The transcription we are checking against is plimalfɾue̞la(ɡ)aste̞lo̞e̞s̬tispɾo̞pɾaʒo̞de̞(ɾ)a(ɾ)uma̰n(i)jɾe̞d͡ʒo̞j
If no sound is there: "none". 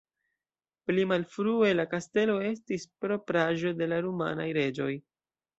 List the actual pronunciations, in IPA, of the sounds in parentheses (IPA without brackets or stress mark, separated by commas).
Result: k, l, ɾ, a